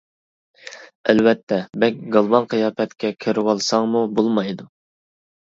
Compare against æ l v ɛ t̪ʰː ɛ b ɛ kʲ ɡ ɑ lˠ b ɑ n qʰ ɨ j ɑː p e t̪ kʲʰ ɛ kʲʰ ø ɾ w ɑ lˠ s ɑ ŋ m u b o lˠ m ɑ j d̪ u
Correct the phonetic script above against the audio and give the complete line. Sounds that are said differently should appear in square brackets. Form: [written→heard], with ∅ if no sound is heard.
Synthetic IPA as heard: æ l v ɛ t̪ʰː ɛ b ɛ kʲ ɡ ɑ lˠ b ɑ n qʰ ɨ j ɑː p [e→ɛ] t̪ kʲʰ ɛ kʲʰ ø ɾ w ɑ lˠ s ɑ ŋ m u b o lˠ m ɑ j d̪ u